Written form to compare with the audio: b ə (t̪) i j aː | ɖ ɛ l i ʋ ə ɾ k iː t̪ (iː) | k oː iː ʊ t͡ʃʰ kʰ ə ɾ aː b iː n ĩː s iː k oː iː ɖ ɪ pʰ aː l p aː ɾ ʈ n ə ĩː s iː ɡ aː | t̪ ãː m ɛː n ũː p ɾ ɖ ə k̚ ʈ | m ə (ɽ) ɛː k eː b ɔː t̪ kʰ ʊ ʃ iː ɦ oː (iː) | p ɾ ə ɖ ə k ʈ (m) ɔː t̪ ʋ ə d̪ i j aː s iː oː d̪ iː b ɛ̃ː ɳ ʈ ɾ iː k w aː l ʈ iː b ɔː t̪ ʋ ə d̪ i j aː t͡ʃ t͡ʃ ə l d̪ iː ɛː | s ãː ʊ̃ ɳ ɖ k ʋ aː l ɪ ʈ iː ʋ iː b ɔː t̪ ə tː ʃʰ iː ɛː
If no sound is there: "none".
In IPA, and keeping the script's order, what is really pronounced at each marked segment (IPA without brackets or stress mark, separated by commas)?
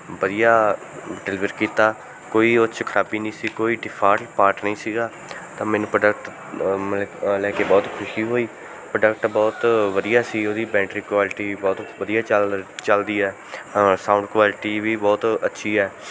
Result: d̪, aː, l, iː, b